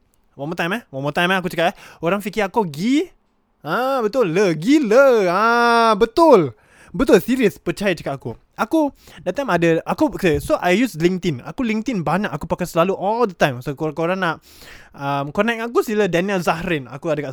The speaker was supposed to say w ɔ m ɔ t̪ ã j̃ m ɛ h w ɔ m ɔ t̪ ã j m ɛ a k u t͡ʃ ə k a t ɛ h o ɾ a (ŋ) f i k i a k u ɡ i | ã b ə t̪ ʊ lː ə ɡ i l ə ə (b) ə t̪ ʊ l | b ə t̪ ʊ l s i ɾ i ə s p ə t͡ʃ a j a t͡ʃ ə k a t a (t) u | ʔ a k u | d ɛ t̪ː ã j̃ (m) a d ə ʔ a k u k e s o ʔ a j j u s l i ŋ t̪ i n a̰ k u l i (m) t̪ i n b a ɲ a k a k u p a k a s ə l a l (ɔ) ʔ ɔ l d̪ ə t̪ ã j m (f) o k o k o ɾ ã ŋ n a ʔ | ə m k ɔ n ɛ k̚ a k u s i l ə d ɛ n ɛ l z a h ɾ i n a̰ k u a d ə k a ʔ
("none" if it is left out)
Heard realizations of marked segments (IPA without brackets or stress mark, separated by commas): ŋ, b, k, m, ŋ, u, s